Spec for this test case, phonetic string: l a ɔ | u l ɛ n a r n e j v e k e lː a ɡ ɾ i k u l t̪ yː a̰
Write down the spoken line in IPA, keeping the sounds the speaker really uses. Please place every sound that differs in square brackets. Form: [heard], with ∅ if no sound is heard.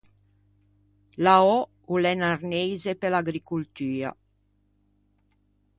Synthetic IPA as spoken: l a ɔ | u l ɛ n a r n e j [z] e [p] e [l] a ɡ ɾ i k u l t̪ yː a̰